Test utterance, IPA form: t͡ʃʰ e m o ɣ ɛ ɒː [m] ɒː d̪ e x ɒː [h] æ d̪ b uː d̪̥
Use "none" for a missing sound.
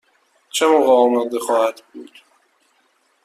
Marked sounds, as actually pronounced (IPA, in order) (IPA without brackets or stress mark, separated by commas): m, h